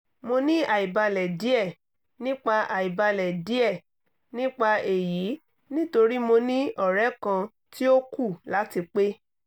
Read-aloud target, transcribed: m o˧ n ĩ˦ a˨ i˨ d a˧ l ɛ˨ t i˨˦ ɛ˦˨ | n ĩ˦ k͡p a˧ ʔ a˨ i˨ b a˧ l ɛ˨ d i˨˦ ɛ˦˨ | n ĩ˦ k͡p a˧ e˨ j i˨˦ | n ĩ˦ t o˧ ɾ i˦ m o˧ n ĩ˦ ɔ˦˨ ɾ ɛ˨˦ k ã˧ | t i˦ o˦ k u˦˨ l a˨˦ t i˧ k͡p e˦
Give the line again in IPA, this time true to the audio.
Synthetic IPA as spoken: m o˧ n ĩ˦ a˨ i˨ b a˧ l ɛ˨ d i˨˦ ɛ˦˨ | n ĩ˦ k͡p a˧ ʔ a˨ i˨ b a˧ l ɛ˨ d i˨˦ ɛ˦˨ | n ĩ˦ k͡p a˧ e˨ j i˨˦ | n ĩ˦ t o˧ ɾ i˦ m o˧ n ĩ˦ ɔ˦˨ ɾ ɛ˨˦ k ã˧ | t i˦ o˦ k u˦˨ l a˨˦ t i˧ k͡p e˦